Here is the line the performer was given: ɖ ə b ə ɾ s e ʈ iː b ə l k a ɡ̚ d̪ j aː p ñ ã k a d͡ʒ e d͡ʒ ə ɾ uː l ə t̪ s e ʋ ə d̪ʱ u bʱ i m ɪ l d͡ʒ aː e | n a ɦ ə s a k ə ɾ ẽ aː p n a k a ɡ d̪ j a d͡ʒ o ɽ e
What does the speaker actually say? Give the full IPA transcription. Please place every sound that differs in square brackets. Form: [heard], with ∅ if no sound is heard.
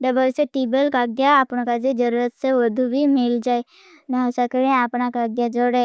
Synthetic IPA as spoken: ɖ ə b ə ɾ s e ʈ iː b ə l k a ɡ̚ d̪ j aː p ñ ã k a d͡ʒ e d͡ʒ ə ɾ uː [ɾ] ə t̪ s e ʋ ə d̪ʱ u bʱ i m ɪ l d͡ʒ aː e | n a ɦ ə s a k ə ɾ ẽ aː p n a k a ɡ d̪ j a d͡ʒ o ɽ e